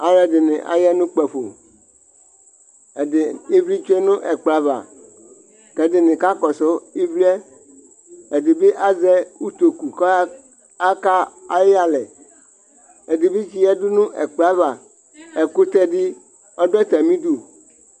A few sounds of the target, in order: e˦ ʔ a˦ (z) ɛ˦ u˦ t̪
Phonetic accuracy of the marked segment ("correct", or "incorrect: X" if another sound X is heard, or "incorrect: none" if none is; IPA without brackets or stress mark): correct